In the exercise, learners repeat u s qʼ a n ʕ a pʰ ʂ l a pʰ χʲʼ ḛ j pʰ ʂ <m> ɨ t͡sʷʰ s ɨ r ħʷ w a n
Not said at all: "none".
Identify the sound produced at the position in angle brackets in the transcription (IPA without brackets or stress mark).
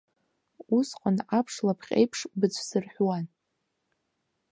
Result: b